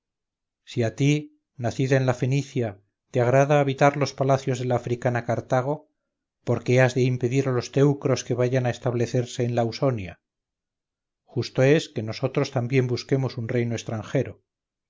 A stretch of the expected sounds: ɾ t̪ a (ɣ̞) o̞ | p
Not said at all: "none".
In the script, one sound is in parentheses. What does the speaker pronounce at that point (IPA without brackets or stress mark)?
ɣ̞